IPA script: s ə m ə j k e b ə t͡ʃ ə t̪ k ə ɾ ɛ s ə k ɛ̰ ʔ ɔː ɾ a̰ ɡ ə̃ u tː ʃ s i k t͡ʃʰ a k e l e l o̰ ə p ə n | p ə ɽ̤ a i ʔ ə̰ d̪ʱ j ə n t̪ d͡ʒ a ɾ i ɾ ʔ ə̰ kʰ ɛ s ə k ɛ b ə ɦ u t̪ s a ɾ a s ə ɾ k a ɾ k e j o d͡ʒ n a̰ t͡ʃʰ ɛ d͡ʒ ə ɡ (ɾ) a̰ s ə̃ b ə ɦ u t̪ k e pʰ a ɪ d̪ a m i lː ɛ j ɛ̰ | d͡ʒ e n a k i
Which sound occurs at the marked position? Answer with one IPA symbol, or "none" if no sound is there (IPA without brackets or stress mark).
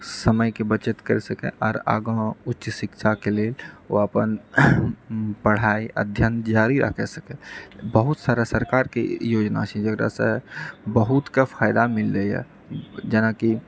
ɾ